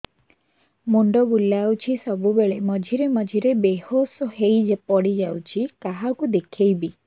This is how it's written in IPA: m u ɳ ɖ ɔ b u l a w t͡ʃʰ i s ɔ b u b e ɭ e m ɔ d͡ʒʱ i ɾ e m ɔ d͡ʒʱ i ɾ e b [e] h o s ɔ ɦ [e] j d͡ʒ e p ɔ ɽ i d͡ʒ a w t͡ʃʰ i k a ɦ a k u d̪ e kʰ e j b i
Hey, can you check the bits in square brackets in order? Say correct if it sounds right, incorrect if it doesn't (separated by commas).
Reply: correct, correct